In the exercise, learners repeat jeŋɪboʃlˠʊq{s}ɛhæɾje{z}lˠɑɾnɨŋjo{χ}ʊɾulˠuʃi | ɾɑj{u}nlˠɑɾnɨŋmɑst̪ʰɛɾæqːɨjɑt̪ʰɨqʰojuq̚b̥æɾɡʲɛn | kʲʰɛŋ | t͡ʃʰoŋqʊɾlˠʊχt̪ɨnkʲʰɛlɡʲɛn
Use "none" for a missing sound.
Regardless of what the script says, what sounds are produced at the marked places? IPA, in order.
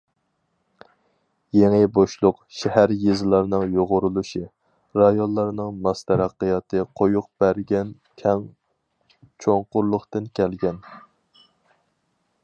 ʃ, z, ʁ, o

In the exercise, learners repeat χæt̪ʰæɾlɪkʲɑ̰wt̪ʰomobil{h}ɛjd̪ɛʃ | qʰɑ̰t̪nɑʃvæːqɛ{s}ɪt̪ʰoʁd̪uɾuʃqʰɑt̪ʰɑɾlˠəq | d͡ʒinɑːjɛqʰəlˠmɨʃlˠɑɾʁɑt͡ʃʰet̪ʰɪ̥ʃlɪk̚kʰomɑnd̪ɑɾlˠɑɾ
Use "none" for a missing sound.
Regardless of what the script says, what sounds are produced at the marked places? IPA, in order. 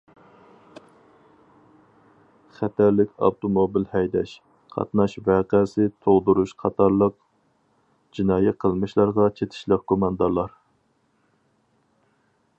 h, s

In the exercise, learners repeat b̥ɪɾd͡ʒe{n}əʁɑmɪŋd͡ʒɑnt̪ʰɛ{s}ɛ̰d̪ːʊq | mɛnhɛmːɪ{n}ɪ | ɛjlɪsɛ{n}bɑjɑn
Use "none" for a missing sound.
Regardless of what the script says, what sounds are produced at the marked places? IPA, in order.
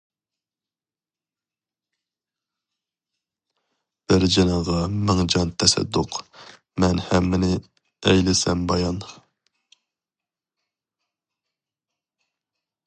n, s, n, m

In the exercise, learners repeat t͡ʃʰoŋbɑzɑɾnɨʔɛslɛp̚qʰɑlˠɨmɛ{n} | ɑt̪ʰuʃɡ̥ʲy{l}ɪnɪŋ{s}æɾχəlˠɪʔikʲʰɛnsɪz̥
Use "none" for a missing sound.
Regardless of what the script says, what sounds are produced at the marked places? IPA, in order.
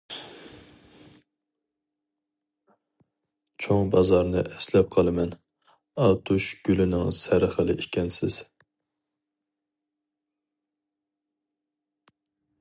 n, l, s

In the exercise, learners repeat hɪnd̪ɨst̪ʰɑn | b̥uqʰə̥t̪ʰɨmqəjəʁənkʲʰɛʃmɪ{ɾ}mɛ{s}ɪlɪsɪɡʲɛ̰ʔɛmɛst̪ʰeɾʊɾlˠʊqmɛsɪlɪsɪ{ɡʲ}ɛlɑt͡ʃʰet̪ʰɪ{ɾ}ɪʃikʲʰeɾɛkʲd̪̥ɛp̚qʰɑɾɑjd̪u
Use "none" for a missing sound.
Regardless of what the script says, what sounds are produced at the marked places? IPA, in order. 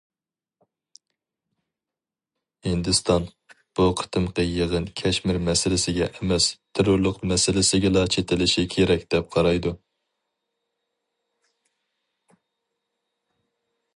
ɾ, s, ɡʲ, l

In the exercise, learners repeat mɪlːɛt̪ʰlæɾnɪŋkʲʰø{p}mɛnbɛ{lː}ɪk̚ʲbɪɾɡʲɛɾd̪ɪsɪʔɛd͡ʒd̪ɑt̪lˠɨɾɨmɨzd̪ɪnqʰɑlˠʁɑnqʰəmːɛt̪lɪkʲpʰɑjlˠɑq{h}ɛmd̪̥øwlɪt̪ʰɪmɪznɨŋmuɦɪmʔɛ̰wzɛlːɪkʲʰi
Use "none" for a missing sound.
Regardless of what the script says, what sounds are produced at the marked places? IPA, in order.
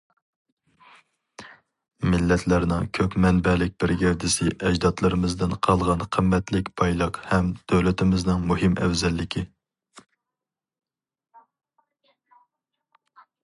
p, l, h

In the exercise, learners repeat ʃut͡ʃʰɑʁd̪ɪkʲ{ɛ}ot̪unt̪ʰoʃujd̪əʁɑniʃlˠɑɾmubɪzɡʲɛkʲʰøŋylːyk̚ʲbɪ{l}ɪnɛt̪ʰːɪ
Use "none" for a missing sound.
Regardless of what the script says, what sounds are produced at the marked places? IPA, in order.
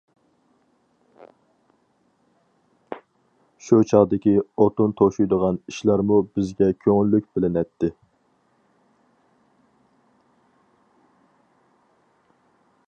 i, l

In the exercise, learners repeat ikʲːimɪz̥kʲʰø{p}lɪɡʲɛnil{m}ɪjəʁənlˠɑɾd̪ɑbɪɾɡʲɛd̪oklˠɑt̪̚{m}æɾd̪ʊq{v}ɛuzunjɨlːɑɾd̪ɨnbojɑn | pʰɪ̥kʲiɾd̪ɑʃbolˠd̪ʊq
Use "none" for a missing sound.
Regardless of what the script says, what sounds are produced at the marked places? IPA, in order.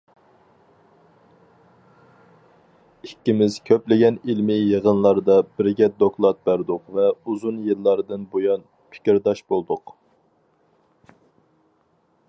p, m, b, v

